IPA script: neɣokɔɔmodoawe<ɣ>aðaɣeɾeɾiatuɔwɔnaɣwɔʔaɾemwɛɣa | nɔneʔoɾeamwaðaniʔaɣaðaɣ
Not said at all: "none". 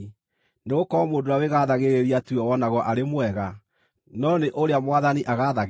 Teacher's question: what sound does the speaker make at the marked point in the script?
ɣ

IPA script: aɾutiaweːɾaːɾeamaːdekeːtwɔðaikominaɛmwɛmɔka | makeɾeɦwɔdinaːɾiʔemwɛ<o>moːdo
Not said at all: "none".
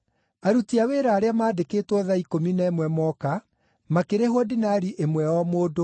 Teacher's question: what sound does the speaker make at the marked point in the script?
ɔ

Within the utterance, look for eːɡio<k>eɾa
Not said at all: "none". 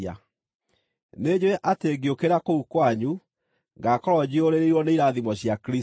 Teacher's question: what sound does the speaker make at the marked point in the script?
k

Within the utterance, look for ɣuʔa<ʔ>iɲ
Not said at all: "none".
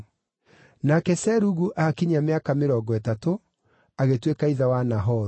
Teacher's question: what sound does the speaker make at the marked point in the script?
k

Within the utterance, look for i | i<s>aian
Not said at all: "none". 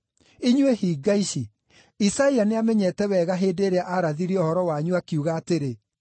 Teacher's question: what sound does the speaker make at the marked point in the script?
s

